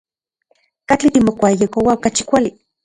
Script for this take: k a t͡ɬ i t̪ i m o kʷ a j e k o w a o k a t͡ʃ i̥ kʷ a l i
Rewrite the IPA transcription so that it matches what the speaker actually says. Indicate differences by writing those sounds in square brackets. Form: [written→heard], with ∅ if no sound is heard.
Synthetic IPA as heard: k a t͡ɬ i t̪ i m o kʷ a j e k o w a o k a t͡ʃ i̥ kʷ a l i